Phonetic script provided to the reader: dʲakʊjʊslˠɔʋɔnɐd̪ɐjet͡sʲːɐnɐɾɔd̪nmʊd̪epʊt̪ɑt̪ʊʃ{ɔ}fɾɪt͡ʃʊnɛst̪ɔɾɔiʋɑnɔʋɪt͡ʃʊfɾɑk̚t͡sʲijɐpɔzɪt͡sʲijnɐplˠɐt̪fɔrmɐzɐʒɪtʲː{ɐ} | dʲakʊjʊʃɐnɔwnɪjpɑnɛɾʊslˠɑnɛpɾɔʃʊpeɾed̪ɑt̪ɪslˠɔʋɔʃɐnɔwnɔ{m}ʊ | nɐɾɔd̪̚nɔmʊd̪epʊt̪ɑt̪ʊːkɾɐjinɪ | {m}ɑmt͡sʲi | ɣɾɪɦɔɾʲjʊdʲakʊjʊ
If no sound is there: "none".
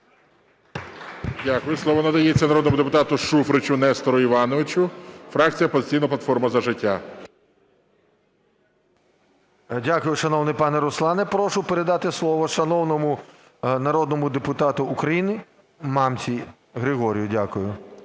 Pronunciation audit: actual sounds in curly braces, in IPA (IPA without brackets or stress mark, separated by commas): u, a, m, m